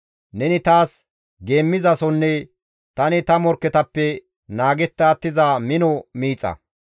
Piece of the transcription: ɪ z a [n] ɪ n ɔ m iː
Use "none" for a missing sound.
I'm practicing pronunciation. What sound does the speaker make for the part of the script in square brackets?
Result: m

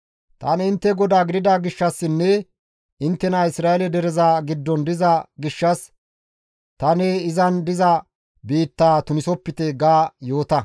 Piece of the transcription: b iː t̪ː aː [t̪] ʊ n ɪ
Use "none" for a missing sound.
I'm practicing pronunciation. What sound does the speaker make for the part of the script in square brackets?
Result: t̪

